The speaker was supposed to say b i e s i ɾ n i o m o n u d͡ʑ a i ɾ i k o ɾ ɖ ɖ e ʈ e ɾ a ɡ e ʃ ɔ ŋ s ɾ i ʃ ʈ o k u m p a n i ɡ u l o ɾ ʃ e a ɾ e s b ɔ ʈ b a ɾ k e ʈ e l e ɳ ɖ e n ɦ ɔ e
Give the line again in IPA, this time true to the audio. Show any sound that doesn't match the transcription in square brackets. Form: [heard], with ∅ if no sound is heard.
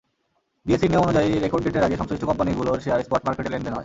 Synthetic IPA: b i e s i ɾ n i o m o n u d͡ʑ a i ɾ [e] k o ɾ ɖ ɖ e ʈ e ɾ a ɡ e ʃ ɔ ŋ s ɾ i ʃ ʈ o k [ɔ] m p a n i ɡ u l o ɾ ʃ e a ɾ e s [p] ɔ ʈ [m] a ɾ k e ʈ e l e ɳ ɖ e n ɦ ɔ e